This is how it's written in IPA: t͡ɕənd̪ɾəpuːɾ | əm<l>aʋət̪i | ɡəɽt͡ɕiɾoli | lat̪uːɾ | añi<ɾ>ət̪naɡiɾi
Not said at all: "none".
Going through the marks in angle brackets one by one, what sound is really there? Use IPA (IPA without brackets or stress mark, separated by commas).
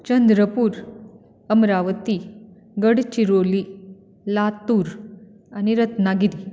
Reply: ɾ, ɾ